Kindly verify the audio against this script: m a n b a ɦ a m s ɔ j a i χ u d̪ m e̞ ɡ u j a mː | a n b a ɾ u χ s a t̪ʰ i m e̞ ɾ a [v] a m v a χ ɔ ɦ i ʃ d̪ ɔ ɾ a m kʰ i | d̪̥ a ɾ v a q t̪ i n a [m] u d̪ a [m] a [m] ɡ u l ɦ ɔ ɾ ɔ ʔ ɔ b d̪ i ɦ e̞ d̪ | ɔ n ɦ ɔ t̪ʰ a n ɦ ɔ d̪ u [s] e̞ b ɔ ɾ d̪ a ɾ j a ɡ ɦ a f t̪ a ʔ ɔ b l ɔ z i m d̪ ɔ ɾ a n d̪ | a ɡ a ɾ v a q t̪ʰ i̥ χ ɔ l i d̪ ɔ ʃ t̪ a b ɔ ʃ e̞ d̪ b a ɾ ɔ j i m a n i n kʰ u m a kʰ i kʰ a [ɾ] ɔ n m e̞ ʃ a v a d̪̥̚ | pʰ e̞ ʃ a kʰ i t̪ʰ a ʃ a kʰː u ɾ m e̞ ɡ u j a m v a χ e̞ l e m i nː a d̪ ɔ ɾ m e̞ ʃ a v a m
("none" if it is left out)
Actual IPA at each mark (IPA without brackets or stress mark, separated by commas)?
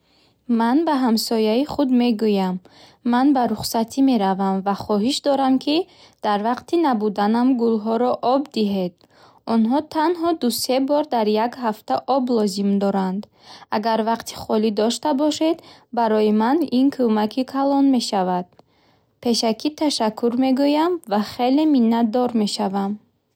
v, b, n, m, s, l